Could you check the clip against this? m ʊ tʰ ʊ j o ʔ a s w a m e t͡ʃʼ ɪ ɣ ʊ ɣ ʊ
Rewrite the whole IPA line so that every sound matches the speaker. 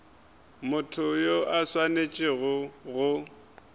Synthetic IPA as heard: m ʊ tʰ ʊ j o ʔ a s w a n e t͡ʃʼ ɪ ɣ ʊ ɣ ʊ